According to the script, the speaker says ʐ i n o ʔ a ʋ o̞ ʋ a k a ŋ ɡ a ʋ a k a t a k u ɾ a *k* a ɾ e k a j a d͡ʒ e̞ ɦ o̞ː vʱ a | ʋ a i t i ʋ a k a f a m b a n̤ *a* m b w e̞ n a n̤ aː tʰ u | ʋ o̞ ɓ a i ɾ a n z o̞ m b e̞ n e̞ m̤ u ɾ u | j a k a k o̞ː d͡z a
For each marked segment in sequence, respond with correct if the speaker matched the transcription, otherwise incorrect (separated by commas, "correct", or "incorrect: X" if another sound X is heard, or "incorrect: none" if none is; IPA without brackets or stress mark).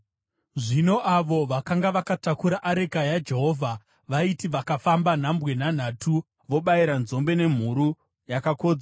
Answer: incorrect: ʔ, correct